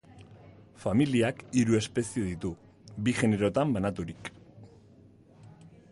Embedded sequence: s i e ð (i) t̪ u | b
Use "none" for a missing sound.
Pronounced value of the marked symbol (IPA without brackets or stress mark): i